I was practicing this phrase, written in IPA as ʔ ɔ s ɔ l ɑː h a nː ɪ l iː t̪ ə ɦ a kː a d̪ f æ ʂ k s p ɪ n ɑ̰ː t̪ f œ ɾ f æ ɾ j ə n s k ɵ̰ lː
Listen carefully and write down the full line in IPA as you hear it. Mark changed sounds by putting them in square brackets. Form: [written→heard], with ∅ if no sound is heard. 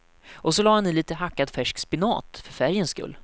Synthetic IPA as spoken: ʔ ɔ s ɔ l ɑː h a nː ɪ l iː t̪ ə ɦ a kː a d̪ f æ ʂ k s p ɪ n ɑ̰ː t̪ f œ ɾ f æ ɾ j ə n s k ɵ̰ lː